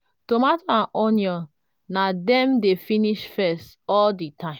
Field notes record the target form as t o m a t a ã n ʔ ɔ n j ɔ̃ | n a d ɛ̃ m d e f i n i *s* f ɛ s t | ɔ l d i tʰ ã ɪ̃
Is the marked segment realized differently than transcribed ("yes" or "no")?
yes